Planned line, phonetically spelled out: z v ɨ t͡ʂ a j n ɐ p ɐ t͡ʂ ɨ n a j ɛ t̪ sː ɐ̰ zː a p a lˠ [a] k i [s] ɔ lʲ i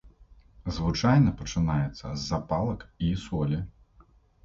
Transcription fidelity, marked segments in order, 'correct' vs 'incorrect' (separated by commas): incorrect, correct